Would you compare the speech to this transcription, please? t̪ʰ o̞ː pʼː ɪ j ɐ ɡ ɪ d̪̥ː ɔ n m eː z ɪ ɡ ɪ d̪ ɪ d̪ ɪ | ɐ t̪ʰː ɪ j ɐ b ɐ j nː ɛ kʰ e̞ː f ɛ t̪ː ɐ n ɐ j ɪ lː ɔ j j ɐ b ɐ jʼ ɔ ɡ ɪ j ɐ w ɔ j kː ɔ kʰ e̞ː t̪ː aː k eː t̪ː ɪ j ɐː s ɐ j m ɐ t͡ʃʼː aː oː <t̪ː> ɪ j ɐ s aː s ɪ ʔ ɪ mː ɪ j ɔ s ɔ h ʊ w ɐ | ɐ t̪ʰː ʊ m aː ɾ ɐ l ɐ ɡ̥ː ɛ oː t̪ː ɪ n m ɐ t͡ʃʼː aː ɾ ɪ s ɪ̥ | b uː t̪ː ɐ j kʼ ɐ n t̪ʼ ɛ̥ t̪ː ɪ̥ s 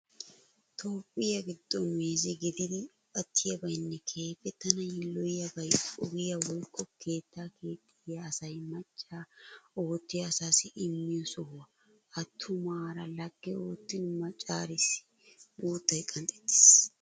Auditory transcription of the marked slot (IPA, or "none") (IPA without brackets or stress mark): t̪ː